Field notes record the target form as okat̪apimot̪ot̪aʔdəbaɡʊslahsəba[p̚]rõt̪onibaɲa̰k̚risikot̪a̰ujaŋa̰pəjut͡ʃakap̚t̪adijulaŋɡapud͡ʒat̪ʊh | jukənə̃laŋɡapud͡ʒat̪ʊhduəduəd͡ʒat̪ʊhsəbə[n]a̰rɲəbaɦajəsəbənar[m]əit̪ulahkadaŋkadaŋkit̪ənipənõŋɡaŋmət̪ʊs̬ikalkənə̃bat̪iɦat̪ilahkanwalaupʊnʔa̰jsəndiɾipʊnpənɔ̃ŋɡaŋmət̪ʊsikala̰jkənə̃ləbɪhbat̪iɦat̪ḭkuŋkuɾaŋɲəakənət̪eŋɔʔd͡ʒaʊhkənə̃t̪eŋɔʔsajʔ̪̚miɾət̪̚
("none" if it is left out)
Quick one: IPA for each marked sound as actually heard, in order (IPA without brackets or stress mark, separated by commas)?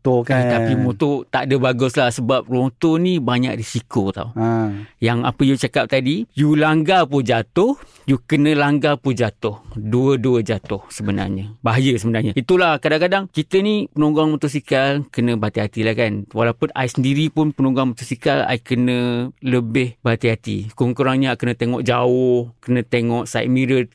p̚, n, ɲ